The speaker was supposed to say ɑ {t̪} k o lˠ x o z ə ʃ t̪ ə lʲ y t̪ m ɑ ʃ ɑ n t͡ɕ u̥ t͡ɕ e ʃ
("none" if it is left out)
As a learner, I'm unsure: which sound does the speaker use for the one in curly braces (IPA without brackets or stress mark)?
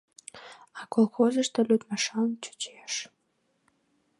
none